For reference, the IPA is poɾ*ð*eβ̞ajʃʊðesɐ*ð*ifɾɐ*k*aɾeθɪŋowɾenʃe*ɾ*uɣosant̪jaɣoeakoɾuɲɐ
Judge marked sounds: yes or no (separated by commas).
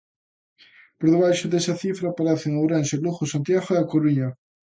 yes, no, no, no